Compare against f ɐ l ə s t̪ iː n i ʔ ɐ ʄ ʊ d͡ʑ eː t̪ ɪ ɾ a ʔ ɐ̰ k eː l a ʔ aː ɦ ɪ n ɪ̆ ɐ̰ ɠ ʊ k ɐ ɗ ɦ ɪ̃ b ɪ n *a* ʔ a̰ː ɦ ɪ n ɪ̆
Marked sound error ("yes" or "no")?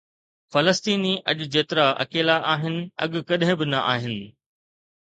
yes